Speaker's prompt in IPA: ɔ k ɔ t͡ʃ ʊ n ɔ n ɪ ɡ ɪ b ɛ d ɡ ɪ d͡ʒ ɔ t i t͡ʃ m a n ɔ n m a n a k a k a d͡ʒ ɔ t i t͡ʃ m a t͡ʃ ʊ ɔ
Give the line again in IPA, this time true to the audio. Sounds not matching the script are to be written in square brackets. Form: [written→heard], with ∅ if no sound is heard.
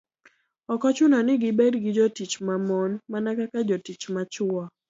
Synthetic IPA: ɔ k ɔ t͡ʃ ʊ n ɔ n ɪ ɡ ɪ b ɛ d ɡ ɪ d͡ʒ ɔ t i t͡ʃ m a [n→m] ɔ n m a n a k a k a d͡ʒ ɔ t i t͡ʃ m a t͡ʃ ʊ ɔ